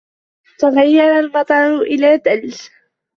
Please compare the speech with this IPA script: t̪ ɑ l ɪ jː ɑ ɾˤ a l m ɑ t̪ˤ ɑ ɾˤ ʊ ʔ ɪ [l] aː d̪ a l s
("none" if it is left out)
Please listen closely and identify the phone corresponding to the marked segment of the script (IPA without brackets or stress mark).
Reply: l